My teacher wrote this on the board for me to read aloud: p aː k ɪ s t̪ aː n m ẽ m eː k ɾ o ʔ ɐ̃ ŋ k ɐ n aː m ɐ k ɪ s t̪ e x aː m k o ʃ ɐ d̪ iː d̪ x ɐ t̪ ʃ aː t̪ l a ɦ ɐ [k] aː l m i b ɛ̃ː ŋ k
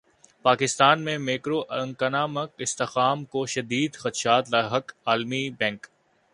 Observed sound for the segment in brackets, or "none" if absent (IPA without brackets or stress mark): k